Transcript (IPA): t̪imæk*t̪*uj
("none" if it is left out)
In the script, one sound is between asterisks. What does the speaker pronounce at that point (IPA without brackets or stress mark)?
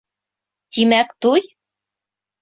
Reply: t̪